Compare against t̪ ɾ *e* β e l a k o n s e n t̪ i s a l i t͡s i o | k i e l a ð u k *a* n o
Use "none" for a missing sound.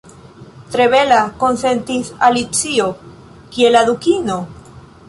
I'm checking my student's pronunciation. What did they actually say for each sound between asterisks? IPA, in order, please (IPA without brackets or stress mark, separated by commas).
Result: e, i